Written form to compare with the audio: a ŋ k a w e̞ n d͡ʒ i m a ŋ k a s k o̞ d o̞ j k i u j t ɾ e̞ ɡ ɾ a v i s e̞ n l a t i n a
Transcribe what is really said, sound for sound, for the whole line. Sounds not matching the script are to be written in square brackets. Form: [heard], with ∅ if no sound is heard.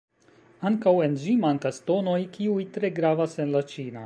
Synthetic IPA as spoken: a ŋ k a w e̞ n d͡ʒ i m a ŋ k a s [t] o̞ [n] o̞ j k i u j t ɾ e̞ ɡ ɾ a v [a] s e̞ n l a [t͡ʃ] i n a

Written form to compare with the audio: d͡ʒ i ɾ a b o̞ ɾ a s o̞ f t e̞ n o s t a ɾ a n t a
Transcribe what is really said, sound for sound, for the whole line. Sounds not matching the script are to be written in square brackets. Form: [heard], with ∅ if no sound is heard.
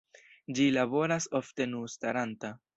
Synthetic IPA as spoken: d͡ʒ i [l] a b o̞ ɾ a s o̞ f t e̞ n [u] s t a ɾ a n t a

